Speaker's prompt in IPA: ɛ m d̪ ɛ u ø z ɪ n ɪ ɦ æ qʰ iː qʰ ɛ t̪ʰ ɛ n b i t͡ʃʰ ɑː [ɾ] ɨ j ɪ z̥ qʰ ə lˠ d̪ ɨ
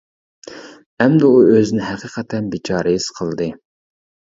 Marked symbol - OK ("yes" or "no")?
yes